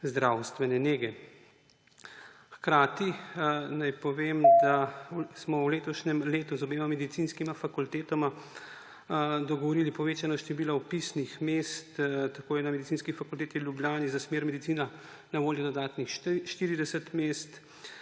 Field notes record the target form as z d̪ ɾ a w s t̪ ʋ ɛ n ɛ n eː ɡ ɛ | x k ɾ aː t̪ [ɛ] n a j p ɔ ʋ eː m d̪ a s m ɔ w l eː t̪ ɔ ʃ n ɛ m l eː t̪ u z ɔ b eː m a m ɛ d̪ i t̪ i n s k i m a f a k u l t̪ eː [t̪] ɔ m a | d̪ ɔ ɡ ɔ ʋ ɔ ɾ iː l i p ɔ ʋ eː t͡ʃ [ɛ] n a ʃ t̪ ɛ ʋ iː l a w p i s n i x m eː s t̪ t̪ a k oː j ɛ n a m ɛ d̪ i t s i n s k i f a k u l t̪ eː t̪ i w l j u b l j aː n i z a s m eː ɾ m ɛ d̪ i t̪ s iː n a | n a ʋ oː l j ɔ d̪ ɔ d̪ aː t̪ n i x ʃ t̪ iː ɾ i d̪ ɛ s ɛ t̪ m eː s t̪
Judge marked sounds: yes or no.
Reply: no, yes, no

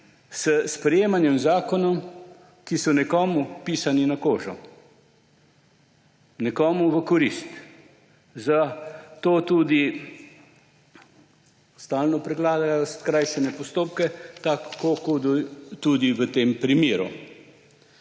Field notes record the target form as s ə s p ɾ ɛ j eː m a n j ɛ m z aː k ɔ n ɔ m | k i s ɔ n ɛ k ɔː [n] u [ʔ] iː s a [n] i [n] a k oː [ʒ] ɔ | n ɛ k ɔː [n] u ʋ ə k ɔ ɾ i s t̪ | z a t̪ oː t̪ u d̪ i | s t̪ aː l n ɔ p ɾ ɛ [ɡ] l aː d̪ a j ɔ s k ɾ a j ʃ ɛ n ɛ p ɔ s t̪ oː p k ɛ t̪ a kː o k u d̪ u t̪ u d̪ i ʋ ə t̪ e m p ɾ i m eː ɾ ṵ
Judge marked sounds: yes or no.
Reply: no, no, yes, yes, yes, no, yes

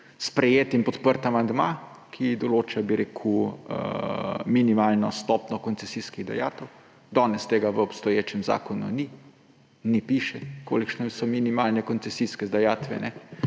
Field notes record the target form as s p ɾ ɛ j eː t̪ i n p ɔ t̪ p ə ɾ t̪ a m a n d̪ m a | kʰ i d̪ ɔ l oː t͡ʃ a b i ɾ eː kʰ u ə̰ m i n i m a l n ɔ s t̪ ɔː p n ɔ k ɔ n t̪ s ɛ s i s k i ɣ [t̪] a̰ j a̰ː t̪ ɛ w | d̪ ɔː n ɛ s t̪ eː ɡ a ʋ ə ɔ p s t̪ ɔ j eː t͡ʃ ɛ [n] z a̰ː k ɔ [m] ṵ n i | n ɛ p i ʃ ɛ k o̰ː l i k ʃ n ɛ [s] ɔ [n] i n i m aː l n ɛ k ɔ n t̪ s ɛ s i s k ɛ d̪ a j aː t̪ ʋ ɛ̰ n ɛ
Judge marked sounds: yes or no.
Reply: no, no, no, yes, no

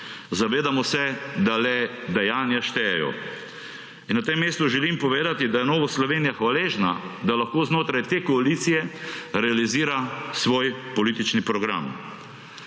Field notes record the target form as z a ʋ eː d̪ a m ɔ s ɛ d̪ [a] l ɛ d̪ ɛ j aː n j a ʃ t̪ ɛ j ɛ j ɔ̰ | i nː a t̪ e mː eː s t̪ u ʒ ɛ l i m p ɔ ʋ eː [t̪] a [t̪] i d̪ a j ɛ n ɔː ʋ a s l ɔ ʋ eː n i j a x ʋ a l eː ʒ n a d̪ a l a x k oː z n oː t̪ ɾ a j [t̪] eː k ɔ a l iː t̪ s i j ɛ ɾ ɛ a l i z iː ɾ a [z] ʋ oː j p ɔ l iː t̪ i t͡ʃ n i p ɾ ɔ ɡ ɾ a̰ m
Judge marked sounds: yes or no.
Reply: yes, no, yes, yes, no

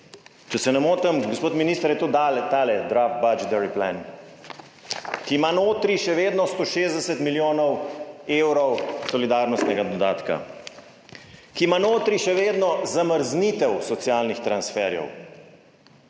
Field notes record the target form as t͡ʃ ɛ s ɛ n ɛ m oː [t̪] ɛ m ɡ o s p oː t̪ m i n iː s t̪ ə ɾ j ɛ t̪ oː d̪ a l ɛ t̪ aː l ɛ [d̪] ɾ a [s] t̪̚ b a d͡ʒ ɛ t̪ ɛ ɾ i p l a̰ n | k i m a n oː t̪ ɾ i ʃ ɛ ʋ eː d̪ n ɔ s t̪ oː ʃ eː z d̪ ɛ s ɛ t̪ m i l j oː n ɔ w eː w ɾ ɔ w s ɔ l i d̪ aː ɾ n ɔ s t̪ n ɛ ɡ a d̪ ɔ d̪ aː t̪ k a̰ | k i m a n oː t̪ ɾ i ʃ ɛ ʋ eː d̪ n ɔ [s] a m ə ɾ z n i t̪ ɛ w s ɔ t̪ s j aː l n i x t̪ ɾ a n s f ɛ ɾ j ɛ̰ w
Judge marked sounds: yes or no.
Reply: yes, yes, no, no

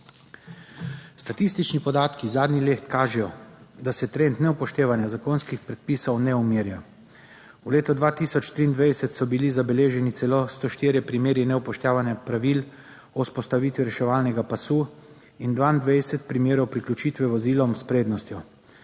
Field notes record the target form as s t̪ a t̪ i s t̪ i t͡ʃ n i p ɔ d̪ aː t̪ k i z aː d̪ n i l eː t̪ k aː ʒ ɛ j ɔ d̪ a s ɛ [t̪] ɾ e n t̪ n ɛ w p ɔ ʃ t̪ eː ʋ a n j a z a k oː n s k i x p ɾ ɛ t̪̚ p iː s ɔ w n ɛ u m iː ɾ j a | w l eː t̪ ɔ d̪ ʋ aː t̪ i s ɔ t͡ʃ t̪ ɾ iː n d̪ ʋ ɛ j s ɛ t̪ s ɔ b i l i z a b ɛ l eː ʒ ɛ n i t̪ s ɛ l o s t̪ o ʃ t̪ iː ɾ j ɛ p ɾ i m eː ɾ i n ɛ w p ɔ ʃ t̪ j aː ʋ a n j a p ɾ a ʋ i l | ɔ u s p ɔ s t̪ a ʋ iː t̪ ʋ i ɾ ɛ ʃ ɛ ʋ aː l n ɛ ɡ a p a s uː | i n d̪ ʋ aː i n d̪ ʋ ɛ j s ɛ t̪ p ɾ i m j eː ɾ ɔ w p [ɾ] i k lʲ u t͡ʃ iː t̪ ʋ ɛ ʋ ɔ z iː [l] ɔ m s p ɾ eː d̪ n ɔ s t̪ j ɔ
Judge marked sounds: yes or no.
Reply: yes, yes, yes

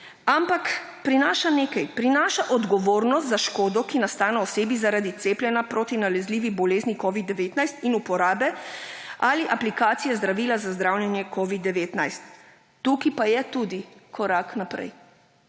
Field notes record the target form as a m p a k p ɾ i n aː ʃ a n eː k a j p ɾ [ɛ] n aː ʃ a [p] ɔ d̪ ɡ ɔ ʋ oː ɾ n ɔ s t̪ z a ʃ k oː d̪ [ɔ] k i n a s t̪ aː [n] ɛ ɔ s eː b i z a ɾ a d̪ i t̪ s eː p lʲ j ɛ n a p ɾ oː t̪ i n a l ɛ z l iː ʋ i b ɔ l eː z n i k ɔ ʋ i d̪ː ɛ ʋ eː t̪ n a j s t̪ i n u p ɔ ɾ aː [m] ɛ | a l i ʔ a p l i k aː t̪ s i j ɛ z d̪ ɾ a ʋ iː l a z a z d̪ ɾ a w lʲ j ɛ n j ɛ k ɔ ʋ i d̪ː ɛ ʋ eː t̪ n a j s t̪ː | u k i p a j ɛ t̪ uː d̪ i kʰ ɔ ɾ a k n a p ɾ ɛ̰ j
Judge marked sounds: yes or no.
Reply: no, no, yes, yes, no

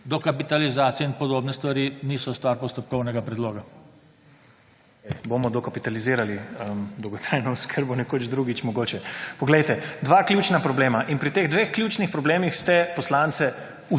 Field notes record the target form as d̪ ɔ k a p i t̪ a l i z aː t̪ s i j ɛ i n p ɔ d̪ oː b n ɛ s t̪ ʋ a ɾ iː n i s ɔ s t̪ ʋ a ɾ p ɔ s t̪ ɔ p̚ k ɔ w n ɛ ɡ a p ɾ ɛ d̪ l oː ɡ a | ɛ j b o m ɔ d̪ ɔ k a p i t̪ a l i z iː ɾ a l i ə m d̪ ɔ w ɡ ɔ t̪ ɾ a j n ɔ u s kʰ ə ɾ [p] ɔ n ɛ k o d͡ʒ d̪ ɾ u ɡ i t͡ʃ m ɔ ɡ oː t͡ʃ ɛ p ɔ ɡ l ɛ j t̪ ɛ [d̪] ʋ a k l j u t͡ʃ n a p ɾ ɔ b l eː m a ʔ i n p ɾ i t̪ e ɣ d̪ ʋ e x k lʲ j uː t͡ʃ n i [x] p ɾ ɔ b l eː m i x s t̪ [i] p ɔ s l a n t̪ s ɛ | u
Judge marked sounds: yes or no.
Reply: no, yes, yes, no

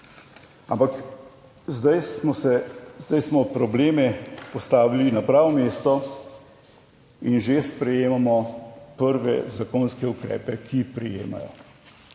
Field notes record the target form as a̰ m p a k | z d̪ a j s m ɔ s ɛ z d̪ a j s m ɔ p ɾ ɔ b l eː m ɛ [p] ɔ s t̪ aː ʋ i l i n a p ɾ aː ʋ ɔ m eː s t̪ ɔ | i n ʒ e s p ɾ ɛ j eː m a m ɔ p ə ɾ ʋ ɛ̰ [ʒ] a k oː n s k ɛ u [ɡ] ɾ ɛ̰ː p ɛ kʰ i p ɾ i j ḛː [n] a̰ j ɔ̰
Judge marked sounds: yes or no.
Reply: yes, no, no, no

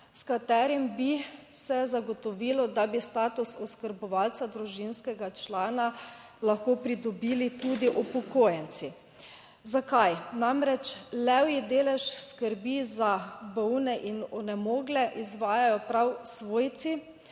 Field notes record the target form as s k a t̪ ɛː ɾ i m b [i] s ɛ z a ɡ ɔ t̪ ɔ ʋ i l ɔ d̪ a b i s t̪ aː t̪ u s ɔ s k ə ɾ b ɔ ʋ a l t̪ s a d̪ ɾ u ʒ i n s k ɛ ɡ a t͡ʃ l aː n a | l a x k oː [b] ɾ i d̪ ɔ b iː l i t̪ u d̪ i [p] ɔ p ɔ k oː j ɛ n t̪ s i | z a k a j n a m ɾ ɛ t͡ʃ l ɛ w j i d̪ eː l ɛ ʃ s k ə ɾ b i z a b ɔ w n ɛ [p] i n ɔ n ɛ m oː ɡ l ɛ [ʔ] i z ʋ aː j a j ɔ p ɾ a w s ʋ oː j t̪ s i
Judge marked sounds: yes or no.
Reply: yes, no, no, no, yes

